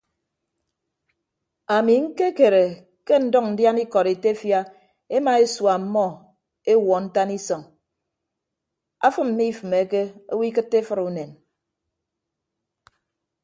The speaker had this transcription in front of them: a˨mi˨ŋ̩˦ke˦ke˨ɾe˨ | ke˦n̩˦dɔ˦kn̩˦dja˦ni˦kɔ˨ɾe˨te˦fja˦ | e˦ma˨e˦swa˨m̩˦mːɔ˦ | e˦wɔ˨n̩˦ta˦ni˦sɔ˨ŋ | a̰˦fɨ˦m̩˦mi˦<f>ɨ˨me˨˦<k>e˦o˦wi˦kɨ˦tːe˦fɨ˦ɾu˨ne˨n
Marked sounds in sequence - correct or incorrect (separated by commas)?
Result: correct, correct